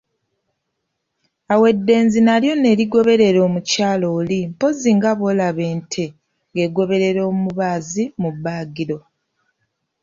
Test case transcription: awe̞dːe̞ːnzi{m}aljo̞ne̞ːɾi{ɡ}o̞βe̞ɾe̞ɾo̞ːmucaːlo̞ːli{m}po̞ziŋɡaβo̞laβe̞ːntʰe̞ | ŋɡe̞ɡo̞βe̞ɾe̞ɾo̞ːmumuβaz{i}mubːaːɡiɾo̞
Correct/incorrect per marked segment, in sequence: incorrect: n, correct, correct, correct

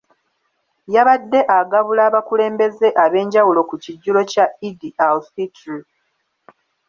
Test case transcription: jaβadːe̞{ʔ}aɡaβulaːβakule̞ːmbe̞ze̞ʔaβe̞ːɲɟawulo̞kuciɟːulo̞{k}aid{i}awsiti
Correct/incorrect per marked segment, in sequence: correct, incorrect: c, correct

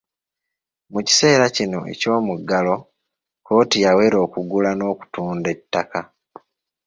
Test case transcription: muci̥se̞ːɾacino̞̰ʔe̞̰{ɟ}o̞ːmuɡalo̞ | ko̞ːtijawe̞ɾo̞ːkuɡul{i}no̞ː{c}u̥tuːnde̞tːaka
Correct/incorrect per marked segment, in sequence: incorrect: c, incorrect: a, incorrect: k

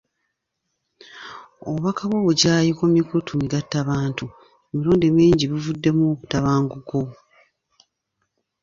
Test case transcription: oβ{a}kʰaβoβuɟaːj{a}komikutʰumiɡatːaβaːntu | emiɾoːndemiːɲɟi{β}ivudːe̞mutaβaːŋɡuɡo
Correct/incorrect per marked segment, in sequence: correct, incorrect: i, correct

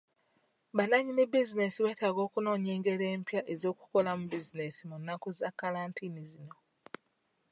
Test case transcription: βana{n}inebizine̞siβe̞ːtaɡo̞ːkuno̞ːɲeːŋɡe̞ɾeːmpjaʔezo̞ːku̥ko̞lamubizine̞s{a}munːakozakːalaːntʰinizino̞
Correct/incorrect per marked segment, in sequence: incorrect: ɲ, incorrect: i

